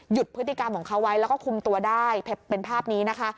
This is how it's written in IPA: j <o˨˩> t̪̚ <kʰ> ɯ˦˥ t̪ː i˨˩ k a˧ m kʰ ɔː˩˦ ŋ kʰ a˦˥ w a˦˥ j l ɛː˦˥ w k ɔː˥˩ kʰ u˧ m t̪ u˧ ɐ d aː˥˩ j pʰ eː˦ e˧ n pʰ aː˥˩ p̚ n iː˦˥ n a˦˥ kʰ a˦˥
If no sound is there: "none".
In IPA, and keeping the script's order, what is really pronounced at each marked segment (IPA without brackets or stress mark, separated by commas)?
u˨˩, pʰ